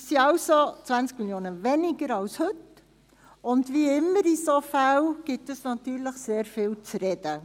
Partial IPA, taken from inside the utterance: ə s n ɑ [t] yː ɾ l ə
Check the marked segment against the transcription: correct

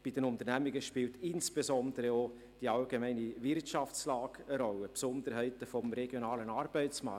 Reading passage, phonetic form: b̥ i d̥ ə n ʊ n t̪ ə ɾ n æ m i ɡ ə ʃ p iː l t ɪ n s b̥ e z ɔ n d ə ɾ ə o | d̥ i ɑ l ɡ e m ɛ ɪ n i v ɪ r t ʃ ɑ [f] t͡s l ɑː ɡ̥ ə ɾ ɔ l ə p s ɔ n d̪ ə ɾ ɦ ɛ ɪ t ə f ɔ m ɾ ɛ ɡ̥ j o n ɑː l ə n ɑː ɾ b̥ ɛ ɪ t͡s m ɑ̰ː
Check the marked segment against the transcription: correct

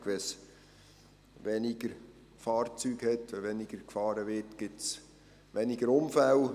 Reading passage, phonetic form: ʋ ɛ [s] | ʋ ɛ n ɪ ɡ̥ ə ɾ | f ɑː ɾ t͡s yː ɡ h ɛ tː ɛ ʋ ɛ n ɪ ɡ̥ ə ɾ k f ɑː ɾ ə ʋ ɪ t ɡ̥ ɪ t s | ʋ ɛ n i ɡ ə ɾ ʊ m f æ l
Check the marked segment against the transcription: correct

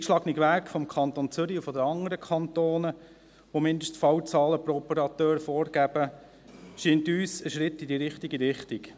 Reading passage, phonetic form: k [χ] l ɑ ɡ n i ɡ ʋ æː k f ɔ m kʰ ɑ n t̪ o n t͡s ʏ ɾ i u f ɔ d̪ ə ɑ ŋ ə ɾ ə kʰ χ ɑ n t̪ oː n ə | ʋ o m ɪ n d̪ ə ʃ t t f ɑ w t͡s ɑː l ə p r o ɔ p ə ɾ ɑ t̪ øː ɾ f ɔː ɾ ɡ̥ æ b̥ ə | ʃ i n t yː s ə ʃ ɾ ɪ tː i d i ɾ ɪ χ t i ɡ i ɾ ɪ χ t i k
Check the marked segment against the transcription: incorrect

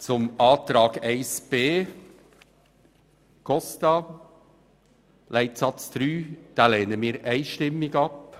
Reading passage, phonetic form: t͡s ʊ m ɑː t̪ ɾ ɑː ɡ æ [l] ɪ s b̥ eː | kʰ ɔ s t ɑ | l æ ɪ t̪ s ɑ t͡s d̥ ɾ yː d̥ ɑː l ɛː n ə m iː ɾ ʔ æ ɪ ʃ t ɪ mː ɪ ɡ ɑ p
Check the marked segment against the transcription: incorrect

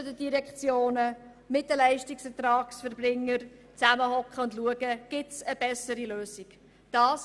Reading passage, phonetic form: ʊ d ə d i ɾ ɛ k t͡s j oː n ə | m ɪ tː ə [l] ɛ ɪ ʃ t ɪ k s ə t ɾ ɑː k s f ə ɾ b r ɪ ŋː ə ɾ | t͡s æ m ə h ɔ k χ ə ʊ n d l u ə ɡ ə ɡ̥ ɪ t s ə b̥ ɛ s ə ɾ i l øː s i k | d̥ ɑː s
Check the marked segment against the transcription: correct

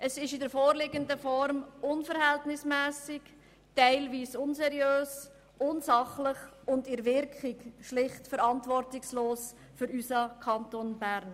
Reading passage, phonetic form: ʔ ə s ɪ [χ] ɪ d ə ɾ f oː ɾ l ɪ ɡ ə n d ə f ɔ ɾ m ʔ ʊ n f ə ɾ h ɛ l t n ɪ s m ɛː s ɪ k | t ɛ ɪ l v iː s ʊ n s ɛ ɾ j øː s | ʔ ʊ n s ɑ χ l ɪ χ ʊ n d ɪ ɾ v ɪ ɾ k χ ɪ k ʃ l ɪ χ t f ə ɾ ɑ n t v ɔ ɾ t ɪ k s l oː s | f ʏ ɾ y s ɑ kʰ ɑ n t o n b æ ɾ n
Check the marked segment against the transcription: incorrect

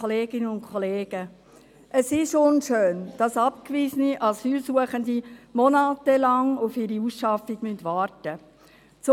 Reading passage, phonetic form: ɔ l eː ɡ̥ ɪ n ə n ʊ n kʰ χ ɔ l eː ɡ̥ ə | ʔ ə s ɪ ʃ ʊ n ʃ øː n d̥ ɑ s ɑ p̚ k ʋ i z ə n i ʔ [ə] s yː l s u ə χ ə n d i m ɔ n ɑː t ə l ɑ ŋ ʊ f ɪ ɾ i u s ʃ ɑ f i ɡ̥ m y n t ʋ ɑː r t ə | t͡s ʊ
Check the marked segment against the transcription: incorrect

